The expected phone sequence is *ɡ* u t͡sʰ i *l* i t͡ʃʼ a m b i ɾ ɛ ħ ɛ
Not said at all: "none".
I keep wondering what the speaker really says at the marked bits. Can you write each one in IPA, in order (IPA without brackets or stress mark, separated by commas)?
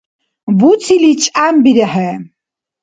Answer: b, l